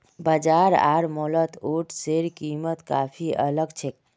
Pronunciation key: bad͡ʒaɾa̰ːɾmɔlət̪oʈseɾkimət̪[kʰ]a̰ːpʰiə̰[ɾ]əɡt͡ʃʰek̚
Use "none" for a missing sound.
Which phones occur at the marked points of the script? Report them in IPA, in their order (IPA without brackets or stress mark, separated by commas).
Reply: k, l